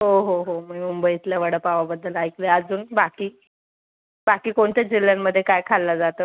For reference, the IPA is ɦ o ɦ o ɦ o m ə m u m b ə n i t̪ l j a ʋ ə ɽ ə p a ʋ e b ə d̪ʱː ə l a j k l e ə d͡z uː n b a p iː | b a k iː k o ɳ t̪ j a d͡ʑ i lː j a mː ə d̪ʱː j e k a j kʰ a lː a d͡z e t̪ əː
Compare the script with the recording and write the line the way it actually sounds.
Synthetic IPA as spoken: ɦ o ɦ o ɦ o m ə m u m b ə i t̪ l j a ʋ ə ɽ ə p a ʋ a b ə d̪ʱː ə l a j k l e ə d͡z uː n b a k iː | b a k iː k o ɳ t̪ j a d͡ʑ i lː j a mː ə d̪ʱː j e k a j kʰ a lː a d͡z a t̪ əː